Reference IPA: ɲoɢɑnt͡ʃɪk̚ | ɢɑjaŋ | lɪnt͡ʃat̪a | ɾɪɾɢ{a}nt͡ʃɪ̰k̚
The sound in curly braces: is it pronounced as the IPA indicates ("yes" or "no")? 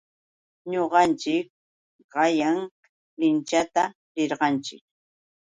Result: no